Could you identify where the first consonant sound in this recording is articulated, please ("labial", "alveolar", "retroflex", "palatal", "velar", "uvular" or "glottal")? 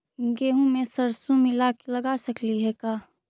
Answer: velar